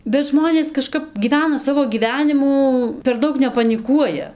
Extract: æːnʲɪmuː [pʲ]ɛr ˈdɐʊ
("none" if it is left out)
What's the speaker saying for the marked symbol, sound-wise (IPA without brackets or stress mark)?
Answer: pʲ